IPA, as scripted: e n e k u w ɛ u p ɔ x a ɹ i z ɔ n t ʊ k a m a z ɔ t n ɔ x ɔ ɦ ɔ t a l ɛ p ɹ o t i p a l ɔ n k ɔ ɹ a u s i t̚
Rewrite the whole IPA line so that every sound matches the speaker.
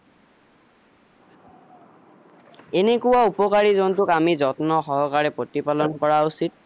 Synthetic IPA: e n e k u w a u p ɔ k a ɹ i z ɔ n t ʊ k a m i z ɔ t n ɔ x ɔ ɦ ɔ k a ɹ ɛ p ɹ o t i p a l ɔ n k ɔ ɹ a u s i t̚